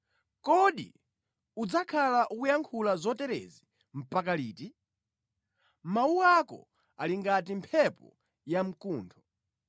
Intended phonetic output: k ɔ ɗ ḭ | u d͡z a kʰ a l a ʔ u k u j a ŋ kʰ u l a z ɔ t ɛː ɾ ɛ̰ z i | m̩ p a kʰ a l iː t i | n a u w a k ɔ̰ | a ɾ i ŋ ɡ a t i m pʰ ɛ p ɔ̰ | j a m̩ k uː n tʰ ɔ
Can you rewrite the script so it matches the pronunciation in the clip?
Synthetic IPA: k ɔ ɗ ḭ | u d͡z a kʰ a l a ʔ u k u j a ŋ kʰ u l a z ɔ t ɛ ɾ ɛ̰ z i | m̩ p a k a l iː t i | m a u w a k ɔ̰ | a l i ŋ ɡ a t i m pʰ ɛ p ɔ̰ | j a m̩ k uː n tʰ ɔ